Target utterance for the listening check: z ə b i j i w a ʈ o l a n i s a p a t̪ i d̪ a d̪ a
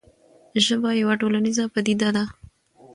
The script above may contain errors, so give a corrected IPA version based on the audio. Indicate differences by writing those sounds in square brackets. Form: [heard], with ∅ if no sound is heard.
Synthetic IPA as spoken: [ʒ] ə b [a] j [a] w a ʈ o l a n i [z] a p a [d̪] i d̪ a d̪ a